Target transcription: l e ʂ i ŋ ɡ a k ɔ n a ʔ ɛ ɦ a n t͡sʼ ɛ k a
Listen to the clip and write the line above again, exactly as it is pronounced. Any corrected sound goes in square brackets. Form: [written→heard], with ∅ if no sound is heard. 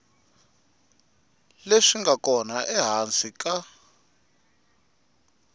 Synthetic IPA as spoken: l e ʂ i ŋ ɡ a k ɔ n a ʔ ɛ ɦ a n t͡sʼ [ɛ→i] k a